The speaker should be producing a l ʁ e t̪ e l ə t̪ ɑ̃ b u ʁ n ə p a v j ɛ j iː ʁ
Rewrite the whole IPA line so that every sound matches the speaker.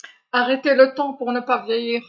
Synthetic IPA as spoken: a ʁ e t̪ e l ə t̪ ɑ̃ p u ʁ n ə p a v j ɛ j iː ʁ